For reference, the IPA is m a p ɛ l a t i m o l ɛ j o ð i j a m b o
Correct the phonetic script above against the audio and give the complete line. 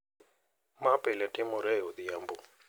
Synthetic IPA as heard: m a p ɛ l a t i m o ɾ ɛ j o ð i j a m b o